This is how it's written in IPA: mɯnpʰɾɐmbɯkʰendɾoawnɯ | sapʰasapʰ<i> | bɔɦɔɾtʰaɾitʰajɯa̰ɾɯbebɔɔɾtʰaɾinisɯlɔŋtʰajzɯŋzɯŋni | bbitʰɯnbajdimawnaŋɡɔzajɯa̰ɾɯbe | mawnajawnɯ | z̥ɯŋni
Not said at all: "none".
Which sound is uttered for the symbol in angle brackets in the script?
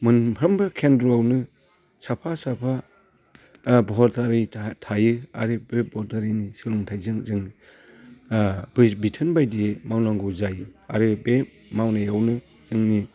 a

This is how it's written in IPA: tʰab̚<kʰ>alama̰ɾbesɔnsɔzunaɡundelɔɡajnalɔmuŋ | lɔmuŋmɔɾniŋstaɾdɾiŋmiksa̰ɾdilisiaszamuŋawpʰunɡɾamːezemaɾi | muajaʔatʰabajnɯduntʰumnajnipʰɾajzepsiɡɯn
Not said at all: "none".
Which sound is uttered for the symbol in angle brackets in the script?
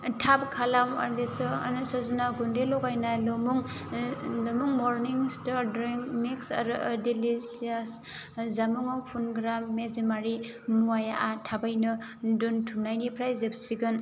kʰ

